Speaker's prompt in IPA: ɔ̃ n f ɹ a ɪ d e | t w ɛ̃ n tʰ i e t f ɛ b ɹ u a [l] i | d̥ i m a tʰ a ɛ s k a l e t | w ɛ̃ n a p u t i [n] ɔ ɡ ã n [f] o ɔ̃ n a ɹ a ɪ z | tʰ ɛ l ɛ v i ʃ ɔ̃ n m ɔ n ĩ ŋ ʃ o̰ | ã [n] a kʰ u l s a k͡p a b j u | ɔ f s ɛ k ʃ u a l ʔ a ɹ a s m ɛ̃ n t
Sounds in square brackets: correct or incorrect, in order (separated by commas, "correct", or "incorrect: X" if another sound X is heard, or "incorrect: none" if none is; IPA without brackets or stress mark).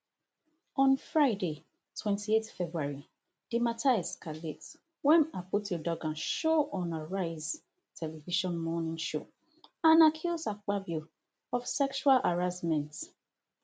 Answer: incorrect: ɹ, incorrect: d, incorrect: ʃ, correct